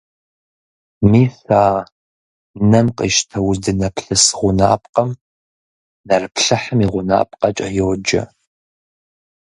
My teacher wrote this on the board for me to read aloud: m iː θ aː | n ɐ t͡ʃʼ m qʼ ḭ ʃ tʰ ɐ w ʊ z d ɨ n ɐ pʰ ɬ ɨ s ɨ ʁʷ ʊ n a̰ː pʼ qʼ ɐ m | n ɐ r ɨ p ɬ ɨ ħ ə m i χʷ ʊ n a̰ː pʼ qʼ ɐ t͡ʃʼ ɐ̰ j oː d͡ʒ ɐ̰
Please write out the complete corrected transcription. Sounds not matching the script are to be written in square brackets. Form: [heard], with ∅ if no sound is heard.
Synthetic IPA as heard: m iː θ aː | n ɐ [∅] m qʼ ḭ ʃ tʰ ɐ w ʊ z d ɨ n ɐ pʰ ɬ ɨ s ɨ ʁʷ ʊ n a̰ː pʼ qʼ ɐ m | n ɐ r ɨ p ɬ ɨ ħ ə m i [ʁʷ] ʊ n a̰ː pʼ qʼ ɐ t͡ʃʼ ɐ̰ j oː d͡ʒ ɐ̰